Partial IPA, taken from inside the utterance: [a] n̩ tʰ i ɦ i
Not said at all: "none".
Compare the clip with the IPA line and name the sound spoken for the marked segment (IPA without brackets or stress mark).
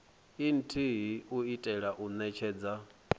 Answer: i